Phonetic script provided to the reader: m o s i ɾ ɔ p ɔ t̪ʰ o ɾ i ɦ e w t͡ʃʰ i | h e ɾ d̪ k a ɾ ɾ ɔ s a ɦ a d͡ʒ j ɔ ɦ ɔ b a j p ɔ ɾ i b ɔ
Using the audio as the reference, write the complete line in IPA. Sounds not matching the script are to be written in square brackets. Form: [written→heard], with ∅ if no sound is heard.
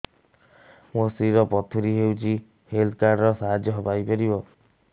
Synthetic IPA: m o s i ɾ ɔ p ɔ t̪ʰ [o→u] ɾ i ɦ e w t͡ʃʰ i | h e [ɾ→l] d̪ k a ɾ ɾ ɔ s a ɦ a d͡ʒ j ɔ ɦ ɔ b a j p ɔ ɾ i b ɔ